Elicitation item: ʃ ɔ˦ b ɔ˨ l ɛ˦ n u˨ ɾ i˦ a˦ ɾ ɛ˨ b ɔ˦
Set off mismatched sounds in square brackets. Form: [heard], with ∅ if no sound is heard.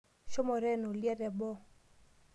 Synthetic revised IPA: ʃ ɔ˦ [m] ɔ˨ [ɾ] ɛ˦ n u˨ [l] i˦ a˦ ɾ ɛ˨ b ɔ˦

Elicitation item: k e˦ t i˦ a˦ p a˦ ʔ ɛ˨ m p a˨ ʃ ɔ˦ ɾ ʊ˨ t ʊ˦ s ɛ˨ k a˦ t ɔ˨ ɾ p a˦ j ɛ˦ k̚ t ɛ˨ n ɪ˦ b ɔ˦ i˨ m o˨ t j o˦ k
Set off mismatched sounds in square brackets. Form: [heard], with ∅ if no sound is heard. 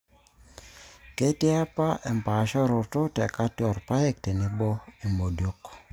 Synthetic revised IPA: k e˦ t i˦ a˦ p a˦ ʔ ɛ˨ m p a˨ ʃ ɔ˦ ɾ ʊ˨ t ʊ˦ [t] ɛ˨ k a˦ t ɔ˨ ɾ p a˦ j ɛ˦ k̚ t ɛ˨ n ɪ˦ b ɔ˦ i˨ m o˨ [d] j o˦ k

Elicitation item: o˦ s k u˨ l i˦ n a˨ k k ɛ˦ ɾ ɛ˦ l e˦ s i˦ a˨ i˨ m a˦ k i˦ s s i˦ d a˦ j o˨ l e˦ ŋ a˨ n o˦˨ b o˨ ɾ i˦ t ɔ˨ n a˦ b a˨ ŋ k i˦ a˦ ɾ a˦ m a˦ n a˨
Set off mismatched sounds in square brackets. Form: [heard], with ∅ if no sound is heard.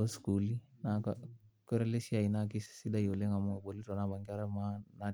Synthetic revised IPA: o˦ s k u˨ l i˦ n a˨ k k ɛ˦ ɾ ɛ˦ l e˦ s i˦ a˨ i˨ [n] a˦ k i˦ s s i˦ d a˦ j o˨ l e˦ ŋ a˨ [m] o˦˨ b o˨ [l] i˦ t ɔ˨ n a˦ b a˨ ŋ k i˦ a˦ ɾ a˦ m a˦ n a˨

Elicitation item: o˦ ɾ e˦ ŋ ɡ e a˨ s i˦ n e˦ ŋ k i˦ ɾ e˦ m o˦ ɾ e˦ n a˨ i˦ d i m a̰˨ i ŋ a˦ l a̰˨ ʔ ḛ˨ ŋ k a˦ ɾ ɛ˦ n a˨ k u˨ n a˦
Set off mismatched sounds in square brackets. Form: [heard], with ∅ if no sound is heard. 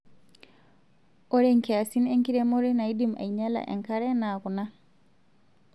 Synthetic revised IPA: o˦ ɾ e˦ ŋ [k] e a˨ s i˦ n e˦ ŋ k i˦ ɾ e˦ m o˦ ɾ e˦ n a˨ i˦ d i m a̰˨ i [ɲ] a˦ l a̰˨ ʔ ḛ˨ ŋ k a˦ ɾ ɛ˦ n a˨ k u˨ n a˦

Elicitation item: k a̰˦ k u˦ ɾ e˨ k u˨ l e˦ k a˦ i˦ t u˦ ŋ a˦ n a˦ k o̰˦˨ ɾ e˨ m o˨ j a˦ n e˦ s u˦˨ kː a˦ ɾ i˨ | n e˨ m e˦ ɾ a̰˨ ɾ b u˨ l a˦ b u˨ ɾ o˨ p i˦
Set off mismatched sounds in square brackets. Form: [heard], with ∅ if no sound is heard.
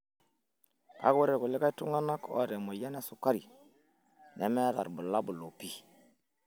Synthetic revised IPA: k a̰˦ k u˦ ɾ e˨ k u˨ l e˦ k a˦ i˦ t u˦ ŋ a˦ n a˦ k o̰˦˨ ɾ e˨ m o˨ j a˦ n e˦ s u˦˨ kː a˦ ɾ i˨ | n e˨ m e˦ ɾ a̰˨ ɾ b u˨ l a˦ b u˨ [l] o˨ p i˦

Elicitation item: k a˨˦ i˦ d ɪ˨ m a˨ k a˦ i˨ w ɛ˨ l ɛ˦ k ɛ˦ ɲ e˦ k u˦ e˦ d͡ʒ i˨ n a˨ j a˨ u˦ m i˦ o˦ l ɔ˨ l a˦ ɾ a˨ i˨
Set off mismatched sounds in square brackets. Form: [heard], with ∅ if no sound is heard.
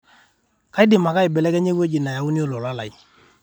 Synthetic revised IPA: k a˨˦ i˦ d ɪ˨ m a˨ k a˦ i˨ [b] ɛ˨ l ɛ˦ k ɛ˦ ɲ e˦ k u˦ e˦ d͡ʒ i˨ n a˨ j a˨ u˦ [n] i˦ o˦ l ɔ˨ l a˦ [l] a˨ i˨

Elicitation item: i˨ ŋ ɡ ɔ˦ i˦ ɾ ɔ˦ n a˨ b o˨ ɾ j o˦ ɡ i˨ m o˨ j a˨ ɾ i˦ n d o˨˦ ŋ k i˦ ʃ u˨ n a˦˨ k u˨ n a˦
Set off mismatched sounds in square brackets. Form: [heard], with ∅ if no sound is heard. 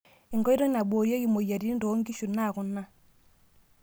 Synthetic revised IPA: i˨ ŋ ɡ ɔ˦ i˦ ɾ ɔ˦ n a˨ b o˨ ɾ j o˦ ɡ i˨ m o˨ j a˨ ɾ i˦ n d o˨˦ ŋ [ɡ] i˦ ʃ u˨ n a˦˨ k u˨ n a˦

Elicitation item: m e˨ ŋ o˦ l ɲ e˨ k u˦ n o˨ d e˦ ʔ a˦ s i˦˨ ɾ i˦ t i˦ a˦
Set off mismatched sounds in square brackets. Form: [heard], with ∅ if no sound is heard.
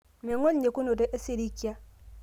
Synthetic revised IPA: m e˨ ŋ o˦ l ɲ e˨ k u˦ n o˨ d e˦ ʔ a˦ s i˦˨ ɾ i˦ [k] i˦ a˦

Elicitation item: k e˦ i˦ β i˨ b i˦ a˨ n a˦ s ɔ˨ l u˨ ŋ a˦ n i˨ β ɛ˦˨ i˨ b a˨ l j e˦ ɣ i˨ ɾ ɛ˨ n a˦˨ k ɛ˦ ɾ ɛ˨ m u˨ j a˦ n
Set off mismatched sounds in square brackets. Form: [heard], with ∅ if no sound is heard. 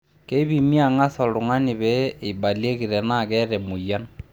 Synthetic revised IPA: k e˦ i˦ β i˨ [m] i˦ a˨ [ŋ] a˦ s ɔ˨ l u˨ ŋ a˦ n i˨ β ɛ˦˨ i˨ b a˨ l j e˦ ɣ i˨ ɾ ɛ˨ n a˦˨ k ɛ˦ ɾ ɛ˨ m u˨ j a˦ n

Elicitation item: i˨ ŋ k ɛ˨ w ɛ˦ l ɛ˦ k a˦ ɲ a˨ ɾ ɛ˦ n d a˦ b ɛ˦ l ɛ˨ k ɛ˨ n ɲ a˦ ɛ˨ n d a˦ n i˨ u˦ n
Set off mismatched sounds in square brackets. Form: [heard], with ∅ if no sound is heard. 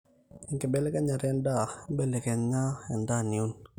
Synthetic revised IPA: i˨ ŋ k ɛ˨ [b] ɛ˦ l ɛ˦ k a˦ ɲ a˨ ɾ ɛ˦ n d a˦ b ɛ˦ l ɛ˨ k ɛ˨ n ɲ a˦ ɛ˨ n d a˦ n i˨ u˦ n

